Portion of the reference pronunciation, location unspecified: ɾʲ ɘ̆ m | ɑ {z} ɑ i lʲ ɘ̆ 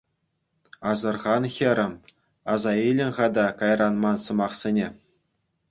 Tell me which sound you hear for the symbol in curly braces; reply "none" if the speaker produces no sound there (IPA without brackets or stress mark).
z